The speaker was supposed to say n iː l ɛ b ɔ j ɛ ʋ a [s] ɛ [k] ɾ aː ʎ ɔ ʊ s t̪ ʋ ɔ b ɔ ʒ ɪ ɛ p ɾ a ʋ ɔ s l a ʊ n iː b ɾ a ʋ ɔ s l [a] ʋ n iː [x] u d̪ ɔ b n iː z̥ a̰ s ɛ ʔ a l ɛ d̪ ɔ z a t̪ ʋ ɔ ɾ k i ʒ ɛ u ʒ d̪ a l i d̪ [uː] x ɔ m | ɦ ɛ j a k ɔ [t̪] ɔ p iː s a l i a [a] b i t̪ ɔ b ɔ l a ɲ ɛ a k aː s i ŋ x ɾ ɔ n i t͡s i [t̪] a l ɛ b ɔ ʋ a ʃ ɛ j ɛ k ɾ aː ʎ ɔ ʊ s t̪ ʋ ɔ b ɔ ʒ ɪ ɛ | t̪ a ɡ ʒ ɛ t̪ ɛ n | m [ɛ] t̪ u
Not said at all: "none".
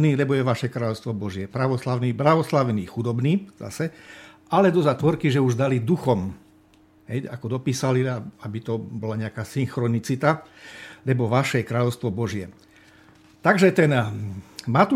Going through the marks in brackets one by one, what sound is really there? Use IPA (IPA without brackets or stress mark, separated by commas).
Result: ʃ, k, a, x, u, d̪, a, t̪, a